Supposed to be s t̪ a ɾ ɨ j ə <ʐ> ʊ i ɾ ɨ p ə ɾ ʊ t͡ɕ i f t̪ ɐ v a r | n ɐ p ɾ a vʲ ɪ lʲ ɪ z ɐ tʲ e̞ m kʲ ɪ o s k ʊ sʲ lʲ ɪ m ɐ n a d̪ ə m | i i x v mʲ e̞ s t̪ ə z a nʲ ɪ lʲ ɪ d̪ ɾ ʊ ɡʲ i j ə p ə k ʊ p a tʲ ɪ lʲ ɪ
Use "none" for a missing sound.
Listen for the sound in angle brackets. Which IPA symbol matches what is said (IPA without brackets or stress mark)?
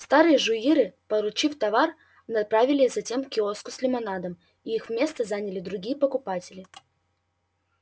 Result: ʐ